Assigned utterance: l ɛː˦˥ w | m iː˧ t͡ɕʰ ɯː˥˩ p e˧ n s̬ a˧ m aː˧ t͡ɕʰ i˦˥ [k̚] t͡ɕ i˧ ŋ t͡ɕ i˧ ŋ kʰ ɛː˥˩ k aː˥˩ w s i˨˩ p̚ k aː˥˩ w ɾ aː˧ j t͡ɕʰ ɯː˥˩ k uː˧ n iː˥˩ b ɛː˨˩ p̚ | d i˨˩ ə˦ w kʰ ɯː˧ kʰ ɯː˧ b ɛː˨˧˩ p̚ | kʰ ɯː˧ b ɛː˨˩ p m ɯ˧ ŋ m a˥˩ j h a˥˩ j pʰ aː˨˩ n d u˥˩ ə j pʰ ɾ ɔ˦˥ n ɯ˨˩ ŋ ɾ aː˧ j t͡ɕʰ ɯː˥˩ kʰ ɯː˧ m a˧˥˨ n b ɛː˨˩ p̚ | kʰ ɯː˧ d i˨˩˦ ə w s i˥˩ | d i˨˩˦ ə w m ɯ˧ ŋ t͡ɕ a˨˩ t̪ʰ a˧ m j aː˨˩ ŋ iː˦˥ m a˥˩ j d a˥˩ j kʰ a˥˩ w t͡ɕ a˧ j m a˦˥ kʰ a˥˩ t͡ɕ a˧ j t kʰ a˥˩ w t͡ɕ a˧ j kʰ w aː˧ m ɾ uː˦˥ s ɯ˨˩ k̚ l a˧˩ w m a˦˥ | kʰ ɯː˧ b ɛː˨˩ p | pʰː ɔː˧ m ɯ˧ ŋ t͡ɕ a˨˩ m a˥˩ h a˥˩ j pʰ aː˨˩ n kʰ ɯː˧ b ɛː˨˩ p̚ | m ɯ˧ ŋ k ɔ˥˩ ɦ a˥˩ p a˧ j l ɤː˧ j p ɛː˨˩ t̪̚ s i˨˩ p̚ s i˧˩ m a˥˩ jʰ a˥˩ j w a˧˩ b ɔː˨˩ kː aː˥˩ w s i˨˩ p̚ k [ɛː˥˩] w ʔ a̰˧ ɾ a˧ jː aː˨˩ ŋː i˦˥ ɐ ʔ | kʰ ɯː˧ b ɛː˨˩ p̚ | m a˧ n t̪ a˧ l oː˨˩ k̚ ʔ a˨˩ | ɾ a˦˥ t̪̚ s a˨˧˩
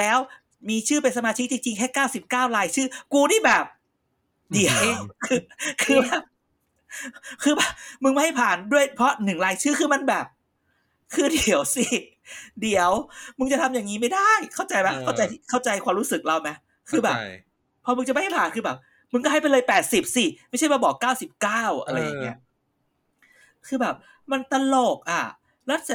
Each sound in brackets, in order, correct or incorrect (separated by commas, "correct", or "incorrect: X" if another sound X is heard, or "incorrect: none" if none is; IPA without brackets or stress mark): correct, incorrect: aː˥˩